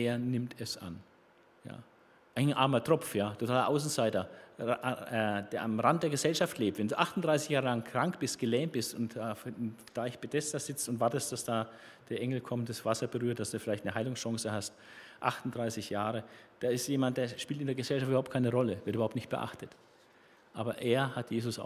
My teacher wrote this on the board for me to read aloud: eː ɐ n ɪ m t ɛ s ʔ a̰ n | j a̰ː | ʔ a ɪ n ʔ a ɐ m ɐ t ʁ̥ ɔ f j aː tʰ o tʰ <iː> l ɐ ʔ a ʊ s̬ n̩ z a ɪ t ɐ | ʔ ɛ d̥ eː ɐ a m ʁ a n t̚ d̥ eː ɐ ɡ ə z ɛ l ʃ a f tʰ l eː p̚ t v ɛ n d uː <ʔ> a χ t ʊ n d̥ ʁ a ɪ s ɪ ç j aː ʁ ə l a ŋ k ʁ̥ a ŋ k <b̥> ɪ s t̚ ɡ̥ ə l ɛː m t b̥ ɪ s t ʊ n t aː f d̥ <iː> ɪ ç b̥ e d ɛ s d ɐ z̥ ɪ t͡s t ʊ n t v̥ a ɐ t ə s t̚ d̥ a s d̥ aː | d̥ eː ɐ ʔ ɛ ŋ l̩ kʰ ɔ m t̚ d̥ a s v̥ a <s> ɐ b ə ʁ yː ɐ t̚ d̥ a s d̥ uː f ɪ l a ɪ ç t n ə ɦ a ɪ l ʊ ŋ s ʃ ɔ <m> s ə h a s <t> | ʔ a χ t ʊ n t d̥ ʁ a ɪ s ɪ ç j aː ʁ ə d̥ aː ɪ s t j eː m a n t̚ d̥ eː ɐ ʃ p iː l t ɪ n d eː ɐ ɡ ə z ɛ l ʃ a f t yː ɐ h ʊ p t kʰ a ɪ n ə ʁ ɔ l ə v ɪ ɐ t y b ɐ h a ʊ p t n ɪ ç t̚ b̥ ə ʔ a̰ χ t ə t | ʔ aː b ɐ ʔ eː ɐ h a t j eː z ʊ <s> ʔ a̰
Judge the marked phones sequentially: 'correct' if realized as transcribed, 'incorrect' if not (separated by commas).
incorrect, correct, correct, incorrect, correct, incorrect, correct, correct